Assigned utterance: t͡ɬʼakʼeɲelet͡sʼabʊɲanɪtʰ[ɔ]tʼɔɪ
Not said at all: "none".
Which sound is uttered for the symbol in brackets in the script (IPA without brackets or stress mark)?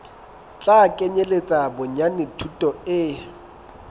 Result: u